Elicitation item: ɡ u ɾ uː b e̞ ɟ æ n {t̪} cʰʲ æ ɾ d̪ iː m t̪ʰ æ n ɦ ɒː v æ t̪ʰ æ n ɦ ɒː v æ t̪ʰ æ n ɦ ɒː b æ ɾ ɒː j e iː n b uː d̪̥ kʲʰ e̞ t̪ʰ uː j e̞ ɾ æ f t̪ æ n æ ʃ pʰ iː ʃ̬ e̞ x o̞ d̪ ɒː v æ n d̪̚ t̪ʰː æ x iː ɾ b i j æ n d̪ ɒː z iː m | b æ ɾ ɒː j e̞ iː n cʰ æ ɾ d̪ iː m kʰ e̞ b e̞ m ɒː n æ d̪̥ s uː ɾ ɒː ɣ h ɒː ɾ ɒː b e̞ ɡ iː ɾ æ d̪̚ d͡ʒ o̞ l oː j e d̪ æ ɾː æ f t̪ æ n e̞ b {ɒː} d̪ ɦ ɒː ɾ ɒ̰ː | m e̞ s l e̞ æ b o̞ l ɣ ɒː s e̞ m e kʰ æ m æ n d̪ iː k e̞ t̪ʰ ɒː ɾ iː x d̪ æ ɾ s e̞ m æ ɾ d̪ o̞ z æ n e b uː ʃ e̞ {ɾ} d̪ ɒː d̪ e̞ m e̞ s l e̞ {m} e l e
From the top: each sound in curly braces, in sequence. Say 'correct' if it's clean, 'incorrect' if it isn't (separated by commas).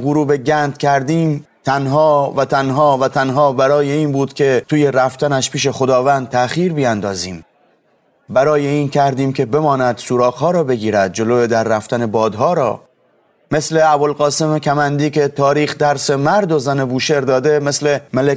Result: incorrect, correct, correct, correct